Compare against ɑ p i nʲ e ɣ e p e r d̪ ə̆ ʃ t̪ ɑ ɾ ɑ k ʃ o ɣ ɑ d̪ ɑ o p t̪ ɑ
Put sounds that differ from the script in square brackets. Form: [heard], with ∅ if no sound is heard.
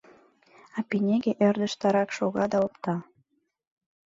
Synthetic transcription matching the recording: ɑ p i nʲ e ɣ e [ʔ] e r d̪ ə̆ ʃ t̪ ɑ ɾ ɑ k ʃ o ɣ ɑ d̪ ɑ o p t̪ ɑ